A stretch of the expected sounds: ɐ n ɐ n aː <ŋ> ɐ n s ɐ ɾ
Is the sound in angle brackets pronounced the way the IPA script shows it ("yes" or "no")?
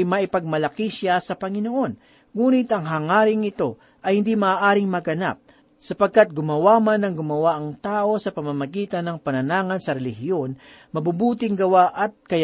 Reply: yes